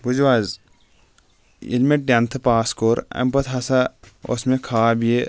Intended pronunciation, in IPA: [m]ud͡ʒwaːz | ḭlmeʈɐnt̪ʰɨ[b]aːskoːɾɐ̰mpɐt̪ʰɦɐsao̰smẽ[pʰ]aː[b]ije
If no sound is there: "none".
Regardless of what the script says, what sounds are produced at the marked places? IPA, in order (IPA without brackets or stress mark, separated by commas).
b, p, kʰ, b